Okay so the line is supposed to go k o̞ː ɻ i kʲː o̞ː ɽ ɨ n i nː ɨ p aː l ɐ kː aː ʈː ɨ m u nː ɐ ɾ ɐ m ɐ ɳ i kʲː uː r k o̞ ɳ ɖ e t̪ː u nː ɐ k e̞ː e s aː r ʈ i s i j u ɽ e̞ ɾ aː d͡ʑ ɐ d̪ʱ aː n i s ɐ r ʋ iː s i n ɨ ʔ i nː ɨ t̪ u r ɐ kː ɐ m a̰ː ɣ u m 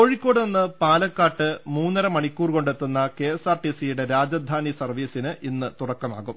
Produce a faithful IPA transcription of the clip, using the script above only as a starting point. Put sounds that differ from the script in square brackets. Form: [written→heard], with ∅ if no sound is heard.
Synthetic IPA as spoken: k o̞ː ɻ i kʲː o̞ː ɽ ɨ n i nː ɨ p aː l ɐ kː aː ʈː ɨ m [u→uː] nː ɐ ɾ ɐ m ɐ ɳ i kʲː uː r k o̞ ɳ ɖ e t̪ː u nː ɐ k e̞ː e s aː r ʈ i s i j u ɽ e̞ ɾ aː d͡ʑ ɐ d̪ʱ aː n i s ɐ r ʋ iː s i n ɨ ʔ i nː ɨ t̪ u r ɐ kː ɐ m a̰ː ɣ u m